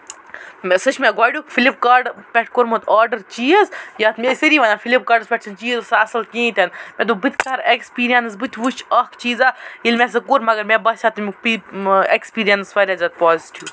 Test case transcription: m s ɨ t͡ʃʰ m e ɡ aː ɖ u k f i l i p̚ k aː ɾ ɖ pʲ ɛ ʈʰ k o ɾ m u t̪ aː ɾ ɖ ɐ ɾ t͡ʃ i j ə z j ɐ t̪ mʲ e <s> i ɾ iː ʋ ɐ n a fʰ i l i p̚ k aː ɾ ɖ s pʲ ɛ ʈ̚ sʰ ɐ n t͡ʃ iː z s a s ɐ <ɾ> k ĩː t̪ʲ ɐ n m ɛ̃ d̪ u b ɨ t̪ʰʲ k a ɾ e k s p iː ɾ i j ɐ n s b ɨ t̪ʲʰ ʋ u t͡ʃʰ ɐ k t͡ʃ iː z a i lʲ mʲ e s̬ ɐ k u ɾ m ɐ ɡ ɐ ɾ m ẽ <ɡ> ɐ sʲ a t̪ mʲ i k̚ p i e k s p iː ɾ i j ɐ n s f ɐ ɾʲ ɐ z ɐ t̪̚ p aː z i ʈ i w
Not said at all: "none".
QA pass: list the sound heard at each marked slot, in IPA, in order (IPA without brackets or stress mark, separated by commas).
s, l, b